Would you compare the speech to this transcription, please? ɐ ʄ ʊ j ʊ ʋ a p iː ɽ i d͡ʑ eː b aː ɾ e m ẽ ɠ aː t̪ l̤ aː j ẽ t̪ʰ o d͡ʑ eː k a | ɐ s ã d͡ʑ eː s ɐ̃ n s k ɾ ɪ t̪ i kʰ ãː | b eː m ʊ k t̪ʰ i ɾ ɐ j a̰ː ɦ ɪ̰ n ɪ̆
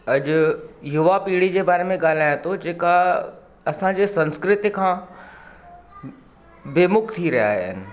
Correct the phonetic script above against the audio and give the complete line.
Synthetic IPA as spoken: ɐ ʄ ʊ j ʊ ʋ a p iː ɽ i d͡ʑ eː b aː ɾ e m ẽ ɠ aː l̤ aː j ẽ t̪ʰ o d͡ʑ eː k a | ɐ s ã d͡ʑ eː s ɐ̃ n s k ɾ ɪ t̪ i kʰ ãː | b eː m ʊ k t̪ʰ i ɾ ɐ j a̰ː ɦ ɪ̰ n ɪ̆